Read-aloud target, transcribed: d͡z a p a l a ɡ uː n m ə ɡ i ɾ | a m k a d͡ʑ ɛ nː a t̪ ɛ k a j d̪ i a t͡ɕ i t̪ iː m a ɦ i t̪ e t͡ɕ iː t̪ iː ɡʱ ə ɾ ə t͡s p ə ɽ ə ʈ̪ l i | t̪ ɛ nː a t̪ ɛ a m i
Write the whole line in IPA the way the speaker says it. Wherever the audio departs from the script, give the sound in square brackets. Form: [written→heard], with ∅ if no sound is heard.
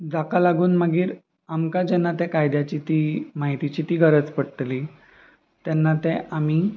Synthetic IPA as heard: d͡z a [p→k] a l a ɡ uː n m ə ɡ [i→iː] ɾ | a m k a d͡ʑ ɛ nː a t̪ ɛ k a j d̪ [i→j] a t͡ɕ i t̪ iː m a ɦ i t̪ [e→i] t͡ɕ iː t̪ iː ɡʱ ə ɾ ə t͡s p ə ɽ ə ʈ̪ l i | t̪ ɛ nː a t̪ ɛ a m i